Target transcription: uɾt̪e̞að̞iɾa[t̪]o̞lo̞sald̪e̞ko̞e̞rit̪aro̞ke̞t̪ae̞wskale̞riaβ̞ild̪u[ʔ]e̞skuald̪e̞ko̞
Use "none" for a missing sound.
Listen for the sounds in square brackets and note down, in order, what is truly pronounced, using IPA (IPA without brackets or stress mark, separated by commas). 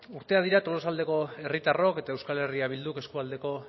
t̪, k